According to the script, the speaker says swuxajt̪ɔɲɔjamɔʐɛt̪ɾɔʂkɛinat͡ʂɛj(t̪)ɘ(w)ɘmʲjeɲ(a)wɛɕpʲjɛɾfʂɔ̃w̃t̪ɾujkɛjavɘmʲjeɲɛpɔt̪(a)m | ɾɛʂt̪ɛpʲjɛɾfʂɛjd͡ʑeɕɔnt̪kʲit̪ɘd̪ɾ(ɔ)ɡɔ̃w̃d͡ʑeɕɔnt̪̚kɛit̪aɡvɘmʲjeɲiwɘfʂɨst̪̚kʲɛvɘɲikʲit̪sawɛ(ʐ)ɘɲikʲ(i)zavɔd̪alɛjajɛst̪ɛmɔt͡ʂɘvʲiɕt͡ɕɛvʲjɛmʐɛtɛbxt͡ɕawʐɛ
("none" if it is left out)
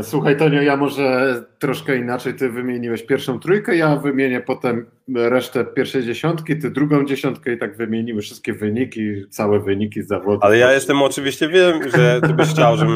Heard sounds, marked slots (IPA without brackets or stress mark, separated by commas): t̪, v, i, ɛ, u, v, i